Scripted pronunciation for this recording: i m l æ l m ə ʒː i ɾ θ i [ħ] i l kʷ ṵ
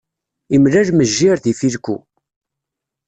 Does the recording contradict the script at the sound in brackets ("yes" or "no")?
yes